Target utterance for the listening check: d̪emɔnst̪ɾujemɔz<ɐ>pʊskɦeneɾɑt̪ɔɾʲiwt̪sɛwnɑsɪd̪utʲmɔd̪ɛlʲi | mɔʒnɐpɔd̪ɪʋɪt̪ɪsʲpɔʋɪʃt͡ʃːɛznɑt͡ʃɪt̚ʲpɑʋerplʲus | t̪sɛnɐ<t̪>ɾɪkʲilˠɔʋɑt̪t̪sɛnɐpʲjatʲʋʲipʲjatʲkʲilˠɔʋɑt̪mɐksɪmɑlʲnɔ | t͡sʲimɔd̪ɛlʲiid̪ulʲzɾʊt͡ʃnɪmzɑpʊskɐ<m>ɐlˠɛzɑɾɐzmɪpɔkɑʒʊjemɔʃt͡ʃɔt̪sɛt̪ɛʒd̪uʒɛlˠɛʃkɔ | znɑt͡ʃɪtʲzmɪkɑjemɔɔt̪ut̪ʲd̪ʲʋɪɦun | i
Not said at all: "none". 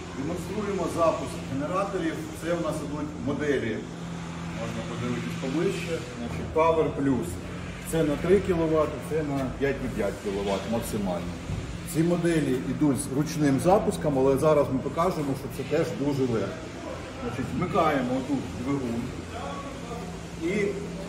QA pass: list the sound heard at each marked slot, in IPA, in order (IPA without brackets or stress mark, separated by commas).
ɑ, t̪, m